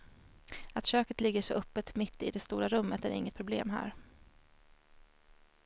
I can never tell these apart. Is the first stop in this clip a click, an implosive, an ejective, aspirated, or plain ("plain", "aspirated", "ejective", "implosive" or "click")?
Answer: plain